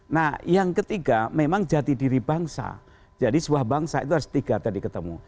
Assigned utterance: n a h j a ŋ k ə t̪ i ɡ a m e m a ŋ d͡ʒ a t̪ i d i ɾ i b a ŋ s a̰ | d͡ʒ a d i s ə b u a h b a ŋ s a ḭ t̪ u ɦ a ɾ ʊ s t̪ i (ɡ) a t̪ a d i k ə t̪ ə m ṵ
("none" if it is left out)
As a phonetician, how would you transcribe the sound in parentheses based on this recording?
ɡ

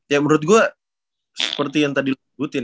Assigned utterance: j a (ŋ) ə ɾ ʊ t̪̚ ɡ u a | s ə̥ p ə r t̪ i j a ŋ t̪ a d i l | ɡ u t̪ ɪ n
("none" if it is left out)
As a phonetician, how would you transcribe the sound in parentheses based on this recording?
m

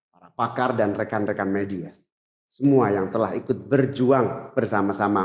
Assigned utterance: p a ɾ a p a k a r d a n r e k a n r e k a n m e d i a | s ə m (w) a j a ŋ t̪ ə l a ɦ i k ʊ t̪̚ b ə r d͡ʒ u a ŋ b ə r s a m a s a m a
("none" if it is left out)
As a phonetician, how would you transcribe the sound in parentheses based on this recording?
u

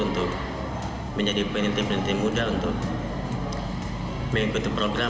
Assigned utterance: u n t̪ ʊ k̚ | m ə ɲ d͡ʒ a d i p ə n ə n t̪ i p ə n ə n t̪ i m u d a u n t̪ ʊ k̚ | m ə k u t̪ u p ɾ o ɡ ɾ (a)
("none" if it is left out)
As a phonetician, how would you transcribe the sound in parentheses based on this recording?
a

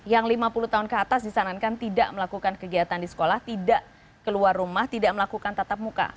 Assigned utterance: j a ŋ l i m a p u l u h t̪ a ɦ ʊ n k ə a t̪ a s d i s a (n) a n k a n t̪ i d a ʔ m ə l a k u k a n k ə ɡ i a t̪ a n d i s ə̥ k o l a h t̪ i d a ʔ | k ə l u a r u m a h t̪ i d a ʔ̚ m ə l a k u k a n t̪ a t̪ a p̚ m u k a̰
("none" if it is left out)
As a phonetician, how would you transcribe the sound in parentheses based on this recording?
n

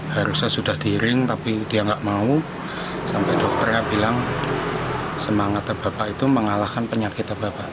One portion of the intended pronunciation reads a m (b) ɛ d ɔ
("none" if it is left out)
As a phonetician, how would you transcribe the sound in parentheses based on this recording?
p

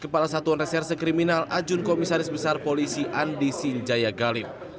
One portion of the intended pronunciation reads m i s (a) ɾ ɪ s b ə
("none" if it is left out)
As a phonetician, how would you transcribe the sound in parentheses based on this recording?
a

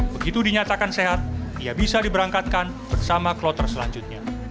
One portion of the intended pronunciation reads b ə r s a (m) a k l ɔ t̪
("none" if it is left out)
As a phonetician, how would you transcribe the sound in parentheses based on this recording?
m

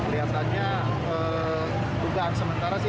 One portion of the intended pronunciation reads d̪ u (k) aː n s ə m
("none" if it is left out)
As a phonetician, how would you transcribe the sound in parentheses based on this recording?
ɡ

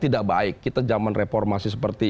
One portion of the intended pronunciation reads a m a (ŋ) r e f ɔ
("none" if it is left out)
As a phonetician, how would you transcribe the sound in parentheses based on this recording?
n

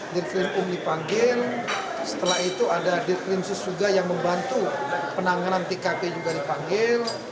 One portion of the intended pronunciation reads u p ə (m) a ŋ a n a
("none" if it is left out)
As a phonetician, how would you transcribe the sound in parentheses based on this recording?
n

